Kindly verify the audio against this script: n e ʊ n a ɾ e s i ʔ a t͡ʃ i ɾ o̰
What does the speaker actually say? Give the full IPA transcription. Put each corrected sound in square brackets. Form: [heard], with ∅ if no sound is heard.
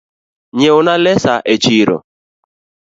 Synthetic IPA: [ɲ] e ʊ n a [l] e s [a] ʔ [e] t͡ʃ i ɾ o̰